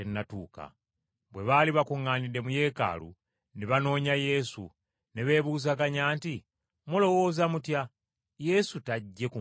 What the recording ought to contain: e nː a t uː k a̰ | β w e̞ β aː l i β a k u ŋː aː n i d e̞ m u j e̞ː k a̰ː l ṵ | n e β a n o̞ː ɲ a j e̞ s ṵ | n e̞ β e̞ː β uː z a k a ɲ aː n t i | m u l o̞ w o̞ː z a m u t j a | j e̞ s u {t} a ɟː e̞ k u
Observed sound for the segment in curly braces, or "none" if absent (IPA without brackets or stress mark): t